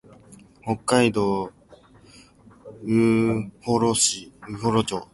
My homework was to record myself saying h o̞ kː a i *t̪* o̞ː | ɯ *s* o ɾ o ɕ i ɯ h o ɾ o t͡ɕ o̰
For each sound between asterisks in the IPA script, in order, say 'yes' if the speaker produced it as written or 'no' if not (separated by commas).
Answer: no, no